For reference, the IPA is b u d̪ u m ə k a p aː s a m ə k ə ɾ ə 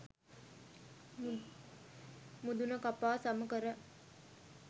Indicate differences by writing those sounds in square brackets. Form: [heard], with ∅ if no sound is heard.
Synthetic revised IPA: [m] u d̪ u [n] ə k a p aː s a m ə k ə ɾ ə